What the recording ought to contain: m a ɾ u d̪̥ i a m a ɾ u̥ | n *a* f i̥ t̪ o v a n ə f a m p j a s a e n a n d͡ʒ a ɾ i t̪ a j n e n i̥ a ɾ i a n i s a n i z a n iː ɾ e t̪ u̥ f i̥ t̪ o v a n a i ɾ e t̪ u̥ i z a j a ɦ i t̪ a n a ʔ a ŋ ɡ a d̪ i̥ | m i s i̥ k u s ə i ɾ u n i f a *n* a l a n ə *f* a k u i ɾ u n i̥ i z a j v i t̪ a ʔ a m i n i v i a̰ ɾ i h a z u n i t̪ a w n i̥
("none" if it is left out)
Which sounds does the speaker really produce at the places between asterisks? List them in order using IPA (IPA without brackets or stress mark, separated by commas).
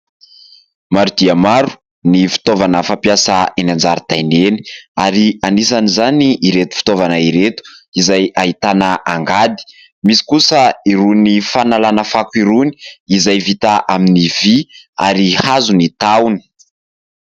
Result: i, n, f